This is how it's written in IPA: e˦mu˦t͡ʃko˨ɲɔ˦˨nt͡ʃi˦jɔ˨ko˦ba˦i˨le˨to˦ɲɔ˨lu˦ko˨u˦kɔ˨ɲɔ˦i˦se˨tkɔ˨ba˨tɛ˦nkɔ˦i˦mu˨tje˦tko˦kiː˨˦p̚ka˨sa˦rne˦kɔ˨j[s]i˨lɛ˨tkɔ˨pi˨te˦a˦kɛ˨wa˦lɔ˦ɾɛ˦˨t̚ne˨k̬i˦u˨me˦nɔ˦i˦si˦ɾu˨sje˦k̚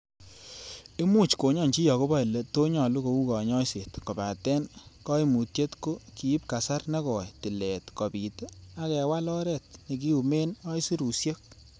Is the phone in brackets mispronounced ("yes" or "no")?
yes